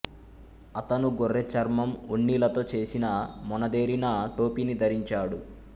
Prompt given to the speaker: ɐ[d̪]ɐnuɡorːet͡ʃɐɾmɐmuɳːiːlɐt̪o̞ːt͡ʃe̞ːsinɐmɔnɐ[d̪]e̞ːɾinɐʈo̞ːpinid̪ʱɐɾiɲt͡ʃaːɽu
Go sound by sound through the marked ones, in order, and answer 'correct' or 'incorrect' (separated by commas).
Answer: incorrect, correct